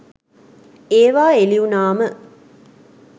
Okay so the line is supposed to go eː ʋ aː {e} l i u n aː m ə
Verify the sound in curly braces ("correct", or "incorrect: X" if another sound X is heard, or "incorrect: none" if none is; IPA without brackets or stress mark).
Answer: correct